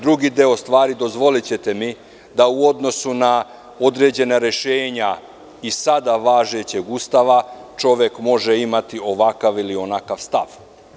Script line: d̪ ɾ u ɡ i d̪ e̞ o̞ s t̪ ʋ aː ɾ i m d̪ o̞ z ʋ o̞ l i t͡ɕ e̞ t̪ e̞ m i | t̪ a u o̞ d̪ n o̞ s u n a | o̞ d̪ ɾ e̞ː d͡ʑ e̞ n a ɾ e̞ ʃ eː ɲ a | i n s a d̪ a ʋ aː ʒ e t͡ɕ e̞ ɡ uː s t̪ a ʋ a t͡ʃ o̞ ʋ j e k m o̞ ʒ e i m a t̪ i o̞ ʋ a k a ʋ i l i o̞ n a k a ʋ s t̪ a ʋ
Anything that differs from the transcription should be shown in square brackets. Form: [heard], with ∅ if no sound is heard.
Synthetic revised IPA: d̪ ɾ u ɡ i d̪ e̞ o̞ s t̪ ʋ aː ɾ i [∅] d̪ o̞ z ʋ o̞ l i t͡ɕ e̞ t̪ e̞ m i | [d̪] a u o̞ d̪ n o̞ s u n a | o̞ d̪ ɾ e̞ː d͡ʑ e̞ n a ɾ e̞ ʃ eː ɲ a | i [∅] s a d̪ a ʋ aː ʒ e t͡ɕ e̞ ɡ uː s t̪ a ʋ a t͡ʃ o̞ ʋ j e k m o̞ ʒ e i m a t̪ i o̞ ʋ a k a ʋ i l i o̞ n a k a ʋ s t̪ a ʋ